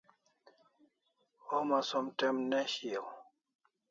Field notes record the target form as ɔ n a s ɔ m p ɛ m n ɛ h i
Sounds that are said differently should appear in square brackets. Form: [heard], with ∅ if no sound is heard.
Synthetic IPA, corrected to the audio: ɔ [m] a s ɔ m [t] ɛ m n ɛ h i